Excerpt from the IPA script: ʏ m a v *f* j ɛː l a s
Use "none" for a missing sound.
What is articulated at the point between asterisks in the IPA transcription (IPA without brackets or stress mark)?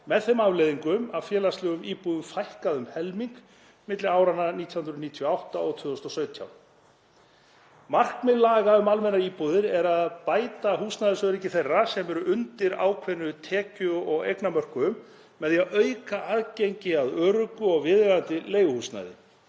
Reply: f